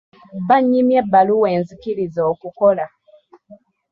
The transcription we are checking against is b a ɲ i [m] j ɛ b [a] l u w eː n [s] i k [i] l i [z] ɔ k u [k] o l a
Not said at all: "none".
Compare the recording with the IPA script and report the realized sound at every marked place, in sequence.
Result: m, a, z, i, z, k

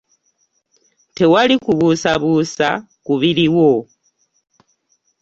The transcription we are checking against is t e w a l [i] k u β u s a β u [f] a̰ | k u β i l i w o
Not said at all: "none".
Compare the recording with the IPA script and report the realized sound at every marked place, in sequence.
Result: i, s

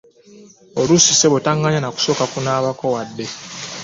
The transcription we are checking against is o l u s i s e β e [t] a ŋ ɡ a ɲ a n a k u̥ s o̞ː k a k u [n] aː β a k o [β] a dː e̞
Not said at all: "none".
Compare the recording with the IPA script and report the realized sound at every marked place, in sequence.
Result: t, n, w

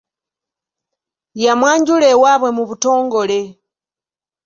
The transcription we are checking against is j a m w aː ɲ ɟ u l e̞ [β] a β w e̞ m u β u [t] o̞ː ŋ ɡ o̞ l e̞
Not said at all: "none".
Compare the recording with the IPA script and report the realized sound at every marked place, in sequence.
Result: w, t

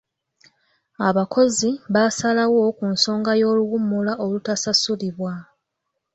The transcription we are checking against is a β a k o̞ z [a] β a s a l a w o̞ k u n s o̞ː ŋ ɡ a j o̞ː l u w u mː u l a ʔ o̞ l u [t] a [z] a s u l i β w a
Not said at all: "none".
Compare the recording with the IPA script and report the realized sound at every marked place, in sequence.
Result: i, t, s

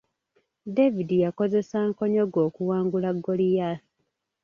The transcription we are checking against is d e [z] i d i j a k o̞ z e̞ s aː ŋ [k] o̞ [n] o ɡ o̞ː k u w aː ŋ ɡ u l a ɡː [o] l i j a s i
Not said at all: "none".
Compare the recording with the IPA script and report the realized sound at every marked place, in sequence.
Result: v, k, ɲ, o

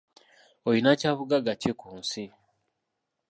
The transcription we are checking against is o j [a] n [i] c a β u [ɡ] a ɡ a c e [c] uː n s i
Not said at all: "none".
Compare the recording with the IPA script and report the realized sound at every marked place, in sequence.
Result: i, a, ɡ, k

